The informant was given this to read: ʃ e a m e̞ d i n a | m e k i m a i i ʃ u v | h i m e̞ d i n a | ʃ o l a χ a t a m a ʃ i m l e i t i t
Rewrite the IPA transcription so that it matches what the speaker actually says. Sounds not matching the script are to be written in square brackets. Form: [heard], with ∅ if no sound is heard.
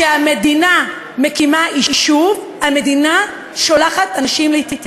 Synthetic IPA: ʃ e a m e̞ d i n a | m e k i m a i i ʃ u v | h [a] m e̞ d i n a | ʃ o l a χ a t a [n] a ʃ i m l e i t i t